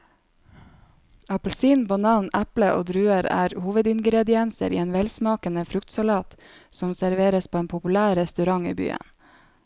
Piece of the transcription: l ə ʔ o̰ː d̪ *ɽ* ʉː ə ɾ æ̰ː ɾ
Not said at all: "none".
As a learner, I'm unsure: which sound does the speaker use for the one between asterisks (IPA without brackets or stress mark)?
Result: ɾ